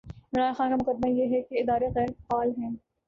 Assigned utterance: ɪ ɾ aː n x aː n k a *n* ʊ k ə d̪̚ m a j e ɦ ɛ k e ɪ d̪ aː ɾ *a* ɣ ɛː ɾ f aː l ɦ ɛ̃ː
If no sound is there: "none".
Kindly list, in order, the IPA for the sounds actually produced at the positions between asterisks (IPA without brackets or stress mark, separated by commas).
m, e